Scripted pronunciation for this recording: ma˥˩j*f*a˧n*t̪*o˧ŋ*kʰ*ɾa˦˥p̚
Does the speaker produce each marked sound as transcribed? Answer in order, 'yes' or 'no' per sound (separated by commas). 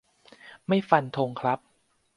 yes, no, yes